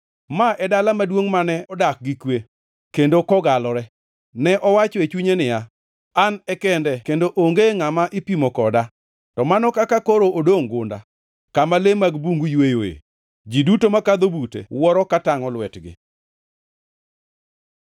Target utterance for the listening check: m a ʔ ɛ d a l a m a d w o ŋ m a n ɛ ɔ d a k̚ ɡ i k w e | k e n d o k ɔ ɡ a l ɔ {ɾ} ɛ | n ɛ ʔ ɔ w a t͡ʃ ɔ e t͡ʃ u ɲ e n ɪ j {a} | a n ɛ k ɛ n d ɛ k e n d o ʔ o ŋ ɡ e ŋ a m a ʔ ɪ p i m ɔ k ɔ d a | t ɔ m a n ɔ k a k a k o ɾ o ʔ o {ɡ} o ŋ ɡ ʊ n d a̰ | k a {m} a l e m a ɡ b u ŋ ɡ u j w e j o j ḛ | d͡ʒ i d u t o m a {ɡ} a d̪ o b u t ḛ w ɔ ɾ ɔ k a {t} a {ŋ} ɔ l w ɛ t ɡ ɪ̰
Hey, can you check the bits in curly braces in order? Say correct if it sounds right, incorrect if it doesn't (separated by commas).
correct, correct, incorrect, correct, incorrect, correct, correct